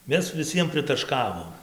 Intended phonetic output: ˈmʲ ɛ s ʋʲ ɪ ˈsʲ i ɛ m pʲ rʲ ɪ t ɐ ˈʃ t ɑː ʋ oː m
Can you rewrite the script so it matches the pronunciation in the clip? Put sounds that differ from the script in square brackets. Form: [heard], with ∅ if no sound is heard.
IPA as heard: ˈmʲ ɛ s ʋʲ ɪ ˈsʲ i ɛ m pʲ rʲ ɪ t ɐ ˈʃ [k] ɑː ʋ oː m

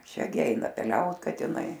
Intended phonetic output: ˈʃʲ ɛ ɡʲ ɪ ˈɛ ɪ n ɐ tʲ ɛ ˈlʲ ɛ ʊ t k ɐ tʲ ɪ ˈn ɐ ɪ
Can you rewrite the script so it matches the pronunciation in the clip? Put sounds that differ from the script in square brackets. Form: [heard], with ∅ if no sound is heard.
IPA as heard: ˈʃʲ ɛ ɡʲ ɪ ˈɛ ɪ n ɐ [pʲ] ɛ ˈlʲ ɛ ʊ t k ɐ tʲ ɪ ˈn ɐ ɪ

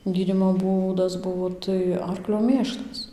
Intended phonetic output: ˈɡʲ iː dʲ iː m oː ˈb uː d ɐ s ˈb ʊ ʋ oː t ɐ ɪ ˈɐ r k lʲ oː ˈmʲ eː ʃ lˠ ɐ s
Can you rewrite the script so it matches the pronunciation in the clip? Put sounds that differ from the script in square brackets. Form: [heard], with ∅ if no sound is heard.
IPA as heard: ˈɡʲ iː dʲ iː m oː ˈb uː d ɐ s ˈb ʊ ʋ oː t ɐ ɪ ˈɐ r k lʲ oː ˈmʲ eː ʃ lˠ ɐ s

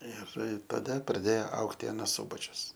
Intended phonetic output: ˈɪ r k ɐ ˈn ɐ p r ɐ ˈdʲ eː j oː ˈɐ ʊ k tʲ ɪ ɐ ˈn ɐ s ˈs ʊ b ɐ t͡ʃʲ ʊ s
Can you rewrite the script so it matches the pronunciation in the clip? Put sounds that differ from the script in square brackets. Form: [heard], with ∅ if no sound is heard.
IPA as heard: ˈɪ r [t] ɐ [ˈd] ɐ p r ɐ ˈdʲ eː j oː ˈɐ ʊ k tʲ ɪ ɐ ˈn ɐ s ˈs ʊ b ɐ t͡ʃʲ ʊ s

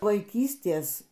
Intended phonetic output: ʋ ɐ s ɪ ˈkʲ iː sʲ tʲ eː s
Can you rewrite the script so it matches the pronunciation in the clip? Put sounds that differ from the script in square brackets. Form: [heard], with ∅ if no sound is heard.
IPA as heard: ʋ ɐ [∅] ɪ ˈkʲ iː sʲ tʲ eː s

